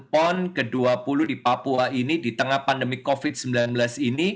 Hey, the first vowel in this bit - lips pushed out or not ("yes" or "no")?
yes